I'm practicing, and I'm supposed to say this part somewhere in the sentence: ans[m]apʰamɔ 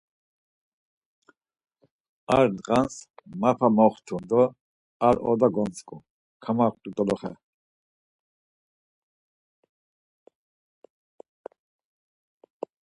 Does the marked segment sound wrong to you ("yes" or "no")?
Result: no